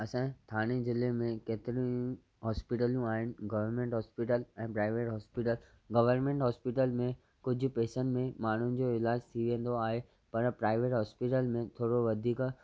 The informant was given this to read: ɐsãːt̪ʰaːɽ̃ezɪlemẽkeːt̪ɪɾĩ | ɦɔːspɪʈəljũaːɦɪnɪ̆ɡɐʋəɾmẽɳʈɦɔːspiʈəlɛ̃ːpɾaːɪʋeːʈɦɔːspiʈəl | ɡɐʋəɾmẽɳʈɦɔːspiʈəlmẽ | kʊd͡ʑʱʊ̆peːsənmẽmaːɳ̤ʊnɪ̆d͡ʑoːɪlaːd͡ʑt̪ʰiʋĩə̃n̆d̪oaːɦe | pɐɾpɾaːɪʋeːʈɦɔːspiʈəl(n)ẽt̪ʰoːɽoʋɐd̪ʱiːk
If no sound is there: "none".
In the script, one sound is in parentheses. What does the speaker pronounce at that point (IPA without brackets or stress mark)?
m